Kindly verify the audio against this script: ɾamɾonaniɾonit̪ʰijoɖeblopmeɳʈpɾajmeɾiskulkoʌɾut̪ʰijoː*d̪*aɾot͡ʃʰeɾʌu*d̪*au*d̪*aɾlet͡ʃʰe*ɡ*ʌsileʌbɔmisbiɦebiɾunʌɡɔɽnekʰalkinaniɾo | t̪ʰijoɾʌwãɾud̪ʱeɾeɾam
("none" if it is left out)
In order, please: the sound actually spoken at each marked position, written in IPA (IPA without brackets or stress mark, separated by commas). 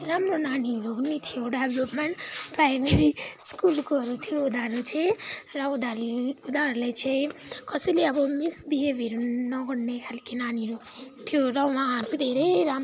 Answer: d̪, d̪, d̪, k